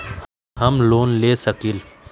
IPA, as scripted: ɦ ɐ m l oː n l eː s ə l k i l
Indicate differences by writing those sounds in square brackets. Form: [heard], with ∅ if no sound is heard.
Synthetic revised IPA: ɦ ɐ m l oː n l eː s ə [∅] k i l